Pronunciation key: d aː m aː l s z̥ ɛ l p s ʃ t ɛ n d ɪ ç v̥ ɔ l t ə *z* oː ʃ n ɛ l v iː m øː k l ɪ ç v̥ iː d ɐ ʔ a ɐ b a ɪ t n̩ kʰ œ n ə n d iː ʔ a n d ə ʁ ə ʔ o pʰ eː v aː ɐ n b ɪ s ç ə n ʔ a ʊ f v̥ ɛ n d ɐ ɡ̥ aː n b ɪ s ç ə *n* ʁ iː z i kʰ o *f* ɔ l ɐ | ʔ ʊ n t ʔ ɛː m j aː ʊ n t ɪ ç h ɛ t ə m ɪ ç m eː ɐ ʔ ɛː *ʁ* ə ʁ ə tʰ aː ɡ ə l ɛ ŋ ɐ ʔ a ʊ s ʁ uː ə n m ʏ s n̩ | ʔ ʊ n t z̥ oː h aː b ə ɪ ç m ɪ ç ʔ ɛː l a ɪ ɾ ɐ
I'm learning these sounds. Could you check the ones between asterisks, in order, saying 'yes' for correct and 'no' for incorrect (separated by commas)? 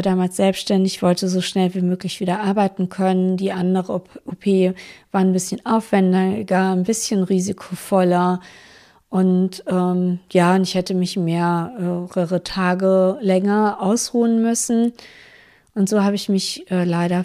yes, yes, yes, yes